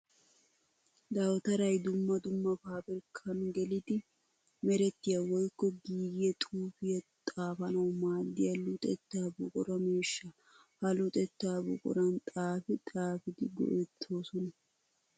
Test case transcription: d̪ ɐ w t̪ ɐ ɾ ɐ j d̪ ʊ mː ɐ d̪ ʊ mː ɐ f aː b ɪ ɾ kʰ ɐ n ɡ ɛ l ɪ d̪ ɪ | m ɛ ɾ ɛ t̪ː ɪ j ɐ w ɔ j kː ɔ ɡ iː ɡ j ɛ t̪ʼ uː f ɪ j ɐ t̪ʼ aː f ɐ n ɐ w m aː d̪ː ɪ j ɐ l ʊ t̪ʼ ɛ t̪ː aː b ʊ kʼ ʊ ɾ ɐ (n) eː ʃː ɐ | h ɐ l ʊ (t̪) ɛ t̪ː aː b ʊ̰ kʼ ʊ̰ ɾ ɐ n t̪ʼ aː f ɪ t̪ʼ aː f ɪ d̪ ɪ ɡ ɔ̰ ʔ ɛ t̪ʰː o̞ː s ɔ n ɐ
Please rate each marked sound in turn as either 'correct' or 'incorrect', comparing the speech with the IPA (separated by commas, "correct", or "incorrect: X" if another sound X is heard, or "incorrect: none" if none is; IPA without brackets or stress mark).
incorrect: m, incorrect: t̪ʼ